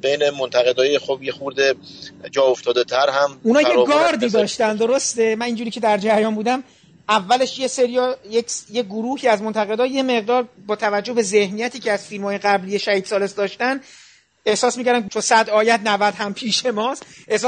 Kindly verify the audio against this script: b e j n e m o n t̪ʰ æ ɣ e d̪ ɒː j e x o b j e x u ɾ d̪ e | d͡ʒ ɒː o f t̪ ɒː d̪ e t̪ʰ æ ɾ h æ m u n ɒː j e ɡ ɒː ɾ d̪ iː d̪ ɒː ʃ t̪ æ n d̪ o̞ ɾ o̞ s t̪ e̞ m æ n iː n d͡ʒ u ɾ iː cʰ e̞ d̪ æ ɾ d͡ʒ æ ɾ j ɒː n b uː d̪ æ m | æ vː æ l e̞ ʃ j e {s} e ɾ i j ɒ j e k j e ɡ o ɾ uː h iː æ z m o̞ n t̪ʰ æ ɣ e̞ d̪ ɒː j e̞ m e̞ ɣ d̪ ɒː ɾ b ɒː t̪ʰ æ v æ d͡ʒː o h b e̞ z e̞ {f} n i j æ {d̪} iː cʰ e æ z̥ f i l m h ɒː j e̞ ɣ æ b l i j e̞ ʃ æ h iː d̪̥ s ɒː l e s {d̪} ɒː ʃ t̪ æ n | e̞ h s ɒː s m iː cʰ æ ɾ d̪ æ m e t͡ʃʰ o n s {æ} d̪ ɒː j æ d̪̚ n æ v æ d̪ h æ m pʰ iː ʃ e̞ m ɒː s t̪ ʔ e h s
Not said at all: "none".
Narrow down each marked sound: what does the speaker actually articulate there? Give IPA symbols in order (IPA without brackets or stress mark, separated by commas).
s, h, t̪, d̪, æ